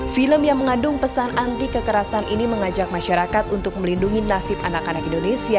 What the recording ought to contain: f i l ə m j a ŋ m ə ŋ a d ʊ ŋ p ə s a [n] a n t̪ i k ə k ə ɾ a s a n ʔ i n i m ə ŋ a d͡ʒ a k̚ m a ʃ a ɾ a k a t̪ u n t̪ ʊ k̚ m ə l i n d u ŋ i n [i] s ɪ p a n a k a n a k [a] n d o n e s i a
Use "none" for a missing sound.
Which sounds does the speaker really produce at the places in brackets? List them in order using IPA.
n, a, i

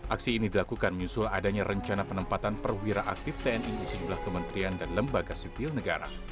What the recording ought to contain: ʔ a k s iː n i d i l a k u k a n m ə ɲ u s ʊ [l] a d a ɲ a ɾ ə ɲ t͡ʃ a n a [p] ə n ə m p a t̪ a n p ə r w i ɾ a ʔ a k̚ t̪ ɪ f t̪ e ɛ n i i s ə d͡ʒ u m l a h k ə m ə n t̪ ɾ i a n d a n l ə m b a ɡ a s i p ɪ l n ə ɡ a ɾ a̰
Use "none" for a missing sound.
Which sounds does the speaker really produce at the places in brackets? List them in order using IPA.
l, p

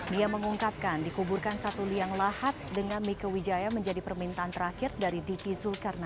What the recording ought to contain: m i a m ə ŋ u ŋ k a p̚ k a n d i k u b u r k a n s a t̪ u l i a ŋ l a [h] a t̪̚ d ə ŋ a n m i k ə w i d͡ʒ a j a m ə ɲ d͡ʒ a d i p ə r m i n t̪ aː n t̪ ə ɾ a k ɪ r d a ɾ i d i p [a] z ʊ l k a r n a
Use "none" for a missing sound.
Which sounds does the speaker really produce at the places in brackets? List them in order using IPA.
h, i

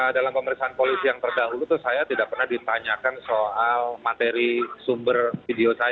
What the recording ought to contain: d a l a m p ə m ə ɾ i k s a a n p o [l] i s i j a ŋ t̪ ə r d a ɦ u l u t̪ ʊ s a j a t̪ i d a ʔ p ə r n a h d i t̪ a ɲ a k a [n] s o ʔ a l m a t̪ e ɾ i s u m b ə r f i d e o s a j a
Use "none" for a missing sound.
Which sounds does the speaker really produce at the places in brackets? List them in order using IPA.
l, n

